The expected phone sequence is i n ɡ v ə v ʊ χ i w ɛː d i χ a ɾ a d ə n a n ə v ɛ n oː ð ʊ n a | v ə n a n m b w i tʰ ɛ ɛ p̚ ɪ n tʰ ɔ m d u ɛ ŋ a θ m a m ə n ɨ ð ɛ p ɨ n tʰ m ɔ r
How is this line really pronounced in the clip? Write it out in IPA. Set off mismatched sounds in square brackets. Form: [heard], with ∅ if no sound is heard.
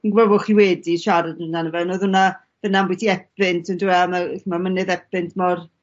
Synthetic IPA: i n ɡ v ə v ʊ χ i w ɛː d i [ʃ] a ɾ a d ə n a n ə v ɛ n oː ð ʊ n a | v ə n a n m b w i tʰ [i] ɛ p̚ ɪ n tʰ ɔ [n] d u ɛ [m] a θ m a m ə n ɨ ð ɛ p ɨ n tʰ m ɔ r